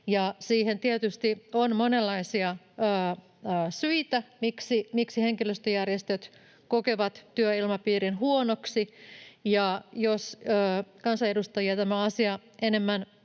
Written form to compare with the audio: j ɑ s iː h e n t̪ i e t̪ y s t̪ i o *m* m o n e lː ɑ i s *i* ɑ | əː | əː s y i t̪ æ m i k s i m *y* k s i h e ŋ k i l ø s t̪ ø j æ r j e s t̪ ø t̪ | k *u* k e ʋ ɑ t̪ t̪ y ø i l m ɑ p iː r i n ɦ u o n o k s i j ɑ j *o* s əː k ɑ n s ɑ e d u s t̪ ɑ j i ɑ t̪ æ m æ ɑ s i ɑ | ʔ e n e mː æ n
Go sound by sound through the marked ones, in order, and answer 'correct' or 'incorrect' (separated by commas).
incorrect, correct, incorrect, incorrect, correct